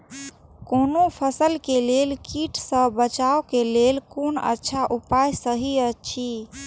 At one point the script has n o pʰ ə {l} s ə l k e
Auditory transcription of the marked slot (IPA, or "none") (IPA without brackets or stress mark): none